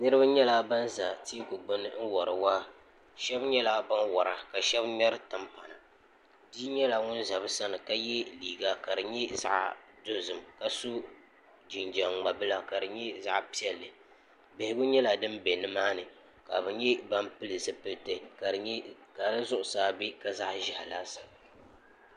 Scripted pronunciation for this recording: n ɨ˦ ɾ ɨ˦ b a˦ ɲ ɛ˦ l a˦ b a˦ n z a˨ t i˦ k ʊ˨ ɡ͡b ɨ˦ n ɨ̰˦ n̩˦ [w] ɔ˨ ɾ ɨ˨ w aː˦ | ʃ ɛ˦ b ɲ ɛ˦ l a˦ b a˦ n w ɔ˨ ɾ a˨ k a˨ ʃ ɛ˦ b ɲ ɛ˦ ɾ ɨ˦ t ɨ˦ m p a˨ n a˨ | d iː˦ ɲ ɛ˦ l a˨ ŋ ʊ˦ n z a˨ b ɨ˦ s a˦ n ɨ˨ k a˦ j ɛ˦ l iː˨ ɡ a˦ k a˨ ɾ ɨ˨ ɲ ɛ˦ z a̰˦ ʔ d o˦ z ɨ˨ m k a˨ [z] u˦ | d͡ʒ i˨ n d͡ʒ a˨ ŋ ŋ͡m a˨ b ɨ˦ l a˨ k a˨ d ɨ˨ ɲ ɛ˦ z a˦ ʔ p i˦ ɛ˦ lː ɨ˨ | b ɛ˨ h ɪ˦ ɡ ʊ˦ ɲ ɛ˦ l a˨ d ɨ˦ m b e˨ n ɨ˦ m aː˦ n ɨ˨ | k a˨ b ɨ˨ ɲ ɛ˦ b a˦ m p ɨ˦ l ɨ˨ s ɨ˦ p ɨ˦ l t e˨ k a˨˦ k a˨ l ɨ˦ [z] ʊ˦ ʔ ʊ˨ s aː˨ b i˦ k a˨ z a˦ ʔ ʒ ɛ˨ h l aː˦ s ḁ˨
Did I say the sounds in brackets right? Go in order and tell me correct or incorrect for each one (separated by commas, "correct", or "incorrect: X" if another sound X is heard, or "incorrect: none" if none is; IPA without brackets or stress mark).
correct, incorrect: s, correct